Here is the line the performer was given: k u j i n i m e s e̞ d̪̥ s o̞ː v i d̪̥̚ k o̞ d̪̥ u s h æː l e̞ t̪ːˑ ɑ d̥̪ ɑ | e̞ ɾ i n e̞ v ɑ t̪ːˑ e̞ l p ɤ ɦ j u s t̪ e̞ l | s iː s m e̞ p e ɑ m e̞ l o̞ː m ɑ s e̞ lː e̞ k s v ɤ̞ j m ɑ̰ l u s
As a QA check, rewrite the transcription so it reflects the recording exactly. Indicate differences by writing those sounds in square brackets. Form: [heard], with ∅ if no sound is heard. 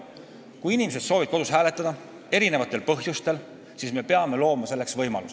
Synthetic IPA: k u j i n i m e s e̞ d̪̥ s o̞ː v i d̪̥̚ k o̞ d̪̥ u s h æː l e̞ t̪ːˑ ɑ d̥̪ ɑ | e̞ ɾ i n e̞ v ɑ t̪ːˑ e̞ l p ɤ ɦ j u s t̪ e̞ l | s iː s m e̞ p e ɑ m e̞ l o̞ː m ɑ s e̞ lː e̞ k s v ɤ̞ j m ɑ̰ l u s